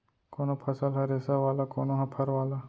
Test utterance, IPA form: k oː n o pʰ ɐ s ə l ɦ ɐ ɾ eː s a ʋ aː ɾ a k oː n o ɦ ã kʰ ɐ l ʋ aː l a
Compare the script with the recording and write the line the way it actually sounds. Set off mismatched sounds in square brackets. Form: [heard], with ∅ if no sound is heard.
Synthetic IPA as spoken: k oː n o pʰ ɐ s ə l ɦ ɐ ɾ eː s a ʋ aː [l] a k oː n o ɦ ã [pʰ] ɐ [ɾ] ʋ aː l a